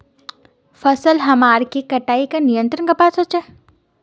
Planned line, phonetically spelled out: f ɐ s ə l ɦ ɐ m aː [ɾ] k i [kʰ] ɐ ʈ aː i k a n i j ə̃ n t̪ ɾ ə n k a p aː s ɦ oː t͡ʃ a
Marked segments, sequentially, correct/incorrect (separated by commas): correct, incorrect